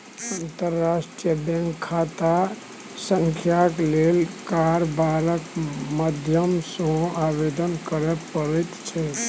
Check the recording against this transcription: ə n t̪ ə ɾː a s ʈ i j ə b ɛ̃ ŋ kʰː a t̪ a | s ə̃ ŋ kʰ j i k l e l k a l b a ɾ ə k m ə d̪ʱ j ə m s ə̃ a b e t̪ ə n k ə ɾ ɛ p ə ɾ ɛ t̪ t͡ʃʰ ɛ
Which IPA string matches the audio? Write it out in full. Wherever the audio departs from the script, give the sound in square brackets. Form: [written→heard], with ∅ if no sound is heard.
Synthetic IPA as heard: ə n t̪ ə ɾː a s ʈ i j ə b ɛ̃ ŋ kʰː a t̪ a | s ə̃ ŋ kʰ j [i→a] k l e l k a [l→ɾ] b a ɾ ə k m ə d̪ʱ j ə m s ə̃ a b e [t̪→d̪] ə n k ə ɾ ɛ p ə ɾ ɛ t̪ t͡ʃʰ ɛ